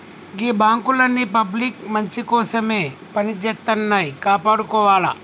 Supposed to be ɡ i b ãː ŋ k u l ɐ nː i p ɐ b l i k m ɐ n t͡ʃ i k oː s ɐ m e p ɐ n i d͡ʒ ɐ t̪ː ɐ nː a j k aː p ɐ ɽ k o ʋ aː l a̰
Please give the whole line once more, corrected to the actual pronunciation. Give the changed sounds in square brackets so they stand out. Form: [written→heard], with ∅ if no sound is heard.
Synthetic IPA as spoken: ɡ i b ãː ŋ k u l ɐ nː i p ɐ b l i k m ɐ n t͡ʃ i k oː s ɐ m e p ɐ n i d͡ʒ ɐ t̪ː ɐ nː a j k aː p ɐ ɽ k o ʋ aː l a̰